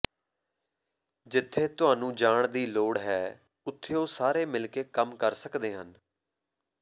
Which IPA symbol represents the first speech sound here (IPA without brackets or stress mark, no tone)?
d͡ʒ